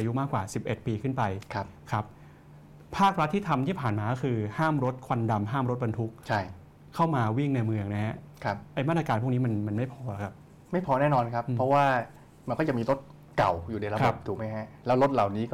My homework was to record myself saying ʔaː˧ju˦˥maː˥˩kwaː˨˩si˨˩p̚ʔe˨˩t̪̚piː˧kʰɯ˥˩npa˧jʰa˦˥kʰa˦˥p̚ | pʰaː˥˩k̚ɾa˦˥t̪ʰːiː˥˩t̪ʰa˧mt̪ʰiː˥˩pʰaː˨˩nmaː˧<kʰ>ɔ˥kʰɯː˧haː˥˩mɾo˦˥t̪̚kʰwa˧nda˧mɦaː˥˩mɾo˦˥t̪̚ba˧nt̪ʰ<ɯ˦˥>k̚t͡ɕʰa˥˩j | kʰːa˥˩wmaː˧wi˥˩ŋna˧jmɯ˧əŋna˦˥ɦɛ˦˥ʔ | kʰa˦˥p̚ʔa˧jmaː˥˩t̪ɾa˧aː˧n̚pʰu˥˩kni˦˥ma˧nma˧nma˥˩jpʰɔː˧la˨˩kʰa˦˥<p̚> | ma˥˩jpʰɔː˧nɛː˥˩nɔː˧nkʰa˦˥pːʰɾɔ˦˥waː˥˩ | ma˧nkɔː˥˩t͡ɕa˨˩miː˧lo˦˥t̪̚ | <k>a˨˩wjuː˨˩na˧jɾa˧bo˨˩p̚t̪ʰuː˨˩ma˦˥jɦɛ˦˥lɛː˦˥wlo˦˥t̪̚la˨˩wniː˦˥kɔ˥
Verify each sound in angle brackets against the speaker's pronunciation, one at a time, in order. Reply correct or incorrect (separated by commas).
incorrect, incorrect, correct, correct